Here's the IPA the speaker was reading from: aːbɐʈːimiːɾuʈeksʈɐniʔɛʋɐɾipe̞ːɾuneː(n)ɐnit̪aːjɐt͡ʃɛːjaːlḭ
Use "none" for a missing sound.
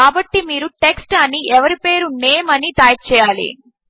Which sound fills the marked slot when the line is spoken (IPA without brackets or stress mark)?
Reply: m